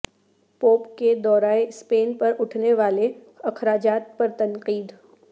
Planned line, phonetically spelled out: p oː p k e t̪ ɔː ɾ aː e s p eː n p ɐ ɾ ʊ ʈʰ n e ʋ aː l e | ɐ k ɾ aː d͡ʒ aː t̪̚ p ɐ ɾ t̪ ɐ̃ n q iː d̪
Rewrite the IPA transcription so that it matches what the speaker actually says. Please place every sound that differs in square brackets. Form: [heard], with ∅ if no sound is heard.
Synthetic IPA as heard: p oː p k e [d̪] ɔː ɾ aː e s p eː n p ɐ ɾ ʊ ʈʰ n e ʋ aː l e | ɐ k ɾ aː d͡ʒ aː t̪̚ p ɐ ɾ t̪ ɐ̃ n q iː d̪